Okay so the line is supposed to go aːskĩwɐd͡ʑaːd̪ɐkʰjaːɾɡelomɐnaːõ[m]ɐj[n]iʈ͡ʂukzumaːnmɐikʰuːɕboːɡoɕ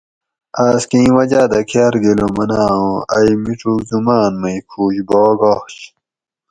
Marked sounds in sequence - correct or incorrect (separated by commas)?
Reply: incorrect, incorrect